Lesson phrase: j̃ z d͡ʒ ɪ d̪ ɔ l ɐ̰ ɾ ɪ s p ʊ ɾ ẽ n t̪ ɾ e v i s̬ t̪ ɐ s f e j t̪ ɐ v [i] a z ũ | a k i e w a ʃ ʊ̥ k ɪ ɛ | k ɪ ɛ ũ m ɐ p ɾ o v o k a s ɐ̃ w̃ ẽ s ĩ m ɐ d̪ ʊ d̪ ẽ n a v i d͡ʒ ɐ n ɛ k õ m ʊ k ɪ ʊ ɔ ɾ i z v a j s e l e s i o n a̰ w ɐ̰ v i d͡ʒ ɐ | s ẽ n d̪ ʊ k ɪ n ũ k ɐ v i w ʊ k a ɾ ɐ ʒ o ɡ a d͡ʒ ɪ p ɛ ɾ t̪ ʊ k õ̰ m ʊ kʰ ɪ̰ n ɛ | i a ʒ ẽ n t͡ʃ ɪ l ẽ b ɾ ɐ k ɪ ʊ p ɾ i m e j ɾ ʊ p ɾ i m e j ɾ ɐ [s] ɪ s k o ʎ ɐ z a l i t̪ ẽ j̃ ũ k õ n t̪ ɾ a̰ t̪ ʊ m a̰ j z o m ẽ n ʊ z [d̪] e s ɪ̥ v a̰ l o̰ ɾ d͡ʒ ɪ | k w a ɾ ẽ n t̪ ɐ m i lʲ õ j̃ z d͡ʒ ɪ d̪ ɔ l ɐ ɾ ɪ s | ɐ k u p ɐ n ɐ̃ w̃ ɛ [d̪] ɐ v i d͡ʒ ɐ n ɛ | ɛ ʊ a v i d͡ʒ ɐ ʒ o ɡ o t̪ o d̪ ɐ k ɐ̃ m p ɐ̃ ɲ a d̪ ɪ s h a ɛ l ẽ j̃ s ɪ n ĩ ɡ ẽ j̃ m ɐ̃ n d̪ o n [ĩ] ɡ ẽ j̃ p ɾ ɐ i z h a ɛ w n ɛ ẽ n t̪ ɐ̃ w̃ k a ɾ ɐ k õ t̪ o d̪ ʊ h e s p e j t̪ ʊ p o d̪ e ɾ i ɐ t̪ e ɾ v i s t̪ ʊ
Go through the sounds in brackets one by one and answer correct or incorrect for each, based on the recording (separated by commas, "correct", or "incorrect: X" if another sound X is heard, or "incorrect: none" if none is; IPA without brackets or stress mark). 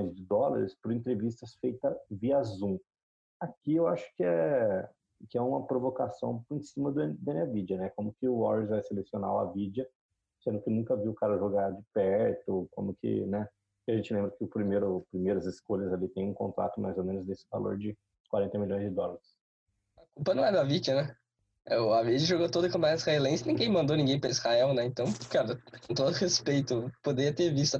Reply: correct, incorrect: z, correct, correct, correct